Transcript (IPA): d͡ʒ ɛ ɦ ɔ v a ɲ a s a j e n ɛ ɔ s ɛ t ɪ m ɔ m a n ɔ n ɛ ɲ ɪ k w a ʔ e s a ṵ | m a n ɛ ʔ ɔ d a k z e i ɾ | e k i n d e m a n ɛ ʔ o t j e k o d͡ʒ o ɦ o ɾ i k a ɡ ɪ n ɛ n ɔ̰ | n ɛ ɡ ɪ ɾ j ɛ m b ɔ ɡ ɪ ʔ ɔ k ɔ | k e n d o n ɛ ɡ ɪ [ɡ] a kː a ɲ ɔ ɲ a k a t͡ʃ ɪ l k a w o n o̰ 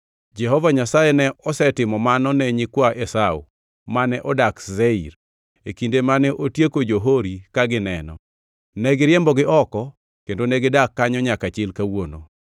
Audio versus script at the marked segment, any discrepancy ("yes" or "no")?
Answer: yes